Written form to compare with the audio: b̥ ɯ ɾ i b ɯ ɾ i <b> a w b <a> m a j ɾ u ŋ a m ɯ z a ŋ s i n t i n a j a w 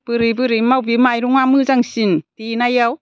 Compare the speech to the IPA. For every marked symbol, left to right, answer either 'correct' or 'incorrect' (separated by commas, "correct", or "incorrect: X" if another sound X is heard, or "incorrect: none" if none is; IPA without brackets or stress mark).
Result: incorrect: m, incorrect: i